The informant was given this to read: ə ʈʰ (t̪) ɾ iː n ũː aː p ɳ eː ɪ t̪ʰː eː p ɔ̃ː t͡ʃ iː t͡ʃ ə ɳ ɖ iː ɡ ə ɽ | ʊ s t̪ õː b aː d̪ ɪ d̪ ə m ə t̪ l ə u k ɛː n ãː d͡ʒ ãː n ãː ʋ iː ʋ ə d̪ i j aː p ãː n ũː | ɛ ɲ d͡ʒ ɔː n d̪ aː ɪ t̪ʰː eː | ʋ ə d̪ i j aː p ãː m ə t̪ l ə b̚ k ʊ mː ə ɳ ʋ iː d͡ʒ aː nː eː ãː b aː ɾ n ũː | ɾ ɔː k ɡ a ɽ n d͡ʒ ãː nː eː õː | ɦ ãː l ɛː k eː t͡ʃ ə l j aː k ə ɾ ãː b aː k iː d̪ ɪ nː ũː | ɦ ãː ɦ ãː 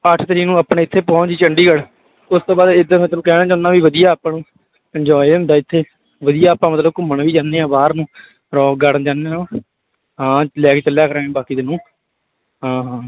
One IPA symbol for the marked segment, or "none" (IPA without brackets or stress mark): t̪